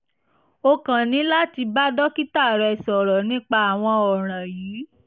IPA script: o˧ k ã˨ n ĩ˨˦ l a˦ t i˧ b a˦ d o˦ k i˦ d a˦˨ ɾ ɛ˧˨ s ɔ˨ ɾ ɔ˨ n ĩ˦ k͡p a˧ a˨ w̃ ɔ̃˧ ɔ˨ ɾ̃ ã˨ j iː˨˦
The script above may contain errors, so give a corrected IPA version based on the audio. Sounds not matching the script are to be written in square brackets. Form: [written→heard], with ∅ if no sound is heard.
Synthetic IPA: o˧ k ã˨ n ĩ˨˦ l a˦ t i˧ b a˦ d [o˦→ɔ˦] k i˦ [d→t] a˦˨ ɾ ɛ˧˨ s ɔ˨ ɾ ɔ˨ n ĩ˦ k͡p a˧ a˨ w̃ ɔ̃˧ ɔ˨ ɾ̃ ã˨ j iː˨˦